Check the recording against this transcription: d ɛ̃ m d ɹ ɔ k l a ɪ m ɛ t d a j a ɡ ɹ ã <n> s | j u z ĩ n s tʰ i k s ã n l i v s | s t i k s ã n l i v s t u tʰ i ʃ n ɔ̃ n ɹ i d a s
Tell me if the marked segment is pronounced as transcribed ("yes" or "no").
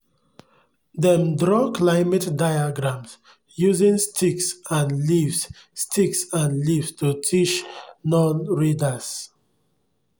no